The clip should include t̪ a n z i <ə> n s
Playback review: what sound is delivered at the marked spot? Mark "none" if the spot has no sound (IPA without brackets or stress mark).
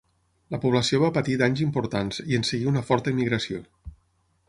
ə